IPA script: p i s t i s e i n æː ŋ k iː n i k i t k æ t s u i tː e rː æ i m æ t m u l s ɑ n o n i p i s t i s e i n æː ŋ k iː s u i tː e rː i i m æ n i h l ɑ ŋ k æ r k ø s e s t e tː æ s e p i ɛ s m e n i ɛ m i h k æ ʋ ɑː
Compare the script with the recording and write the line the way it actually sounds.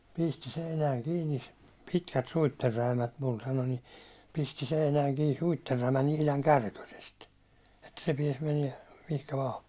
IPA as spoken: p i s t i s e i n æː ŋ k iː n i p i t k æ t s u i tː e rː æ i m æ t m u l s ɑ n o n i p i s t i s e i n æː ŋ k iː s u i tː e rː æ i m æ n i h l ɑ ŋ k æ r k ø s e s t e tː æ s e p i ɛ s m e n i ɛ m i h k æ ʋ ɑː

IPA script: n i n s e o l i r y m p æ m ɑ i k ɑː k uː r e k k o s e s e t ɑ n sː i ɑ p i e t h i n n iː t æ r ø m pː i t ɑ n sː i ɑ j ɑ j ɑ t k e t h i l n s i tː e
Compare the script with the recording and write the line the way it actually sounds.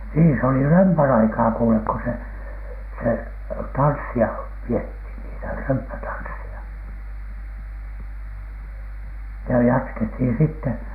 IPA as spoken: n iː n s e o l i r ø m p æ n ɑ i k ɑː k uː l e k k o s e s e t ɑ n sː i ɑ p i e t h i n n iː t æ r ø m pː æ t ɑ n sː i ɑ j ɑ j ɑ t k e t h i n s i tː e

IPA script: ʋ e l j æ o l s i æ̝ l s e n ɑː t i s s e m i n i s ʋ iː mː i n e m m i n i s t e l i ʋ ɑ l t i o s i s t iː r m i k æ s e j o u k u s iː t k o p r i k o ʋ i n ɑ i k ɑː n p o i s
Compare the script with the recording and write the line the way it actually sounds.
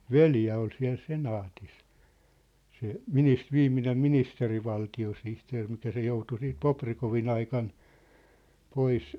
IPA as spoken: ʋ e l j æ o l s i æ̝ l s e n ɑː t i s s e m i n i s ʋ iː mː i n e m m i n i s t e r i ʋ ɑ l t i o s i h t eː r m i k æ s e j o u t u s iː t p o p r i k o ʋ i n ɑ i k ɑ n p o i s

